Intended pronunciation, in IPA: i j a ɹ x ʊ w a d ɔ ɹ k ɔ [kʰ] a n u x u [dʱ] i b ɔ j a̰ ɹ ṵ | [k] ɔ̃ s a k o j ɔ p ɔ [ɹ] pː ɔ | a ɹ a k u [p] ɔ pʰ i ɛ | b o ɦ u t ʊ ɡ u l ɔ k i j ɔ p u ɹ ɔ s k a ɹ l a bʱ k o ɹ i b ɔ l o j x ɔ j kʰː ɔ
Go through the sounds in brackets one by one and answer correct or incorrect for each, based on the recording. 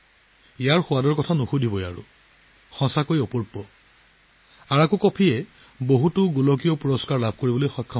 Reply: incorrect, correct, incorrect, correct, incorrect

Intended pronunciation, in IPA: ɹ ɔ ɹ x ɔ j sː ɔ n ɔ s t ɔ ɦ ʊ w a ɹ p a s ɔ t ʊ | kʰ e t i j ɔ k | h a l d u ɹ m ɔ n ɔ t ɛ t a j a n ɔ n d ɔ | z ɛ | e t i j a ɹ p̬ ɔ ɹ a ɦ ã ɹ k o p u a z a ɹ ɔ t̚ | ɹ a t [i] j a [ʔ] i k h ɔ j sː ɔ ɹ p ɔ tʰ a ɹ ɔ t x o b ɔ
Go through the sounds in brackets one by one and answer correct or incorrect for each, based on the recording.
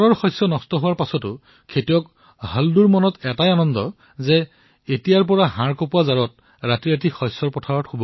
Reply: correct, incorrect

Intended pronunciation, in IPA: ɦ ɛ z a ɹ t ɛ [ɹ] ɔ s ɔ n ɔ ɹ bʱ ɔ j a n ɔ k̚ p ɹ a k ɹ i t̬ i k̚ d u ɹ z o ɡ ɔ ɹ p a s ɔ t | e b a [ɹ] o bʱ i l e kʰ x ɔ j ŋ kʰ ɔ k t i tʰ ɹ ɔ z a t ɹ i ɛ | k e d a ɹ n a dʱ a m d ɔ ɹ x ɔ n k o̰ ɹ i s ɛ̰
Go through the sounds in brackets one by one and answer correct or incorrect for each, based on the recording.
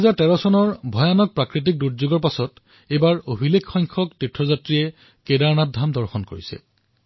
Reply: correct, correct

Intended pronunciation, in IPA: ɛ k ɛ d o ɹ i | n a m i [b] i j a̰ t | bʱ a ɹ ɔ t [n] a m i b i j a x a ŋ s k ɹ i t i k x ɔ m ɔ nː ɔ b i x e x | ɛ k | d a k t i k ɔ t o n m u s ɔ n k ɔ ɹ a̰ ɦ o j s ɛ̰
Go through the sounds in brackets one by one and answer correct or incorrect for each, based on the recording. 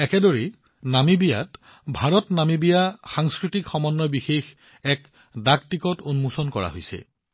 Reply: correct, correct

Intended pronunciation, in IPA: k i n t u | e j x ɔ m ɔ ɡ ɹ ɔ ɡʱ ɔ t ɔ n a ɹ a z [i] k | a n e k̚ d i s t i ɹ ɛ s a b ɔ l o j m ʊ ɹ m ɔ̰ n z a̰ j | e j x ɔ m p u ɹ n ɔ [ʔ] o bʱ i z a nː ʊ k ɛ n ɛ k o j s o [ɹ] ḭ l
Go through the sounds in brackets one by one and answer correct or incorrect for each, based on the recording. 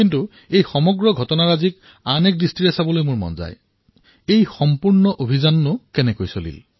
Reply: correct, correct, incorrect

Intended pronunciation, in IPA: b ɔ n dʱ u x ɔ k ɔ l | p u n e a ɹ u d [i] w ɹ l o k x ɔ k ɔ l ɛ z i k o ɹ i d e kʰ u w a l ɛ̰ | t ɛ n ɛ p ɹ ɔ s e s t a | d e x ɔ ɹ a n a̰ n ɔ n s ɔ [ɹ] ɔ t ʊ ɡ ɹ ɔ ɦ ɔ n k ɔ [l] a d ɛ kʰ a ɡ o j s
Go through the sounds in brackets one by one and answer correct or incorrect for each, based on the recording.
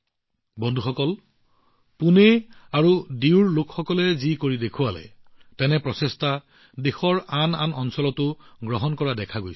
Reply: correct, incorrect, incorrect

